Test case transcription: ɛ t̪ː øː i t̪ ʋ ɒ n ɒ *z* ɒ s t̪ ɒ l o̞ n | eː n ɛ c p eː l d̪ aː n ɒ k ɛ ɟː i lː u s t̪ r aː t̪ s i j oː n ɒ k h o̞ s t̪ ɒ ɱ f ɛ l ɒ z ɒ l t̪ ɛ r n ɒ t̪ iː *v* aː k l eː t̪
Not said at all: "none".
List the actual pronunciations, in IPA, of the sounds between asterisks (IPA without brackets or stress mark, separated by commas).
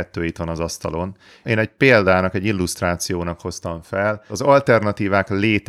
z, v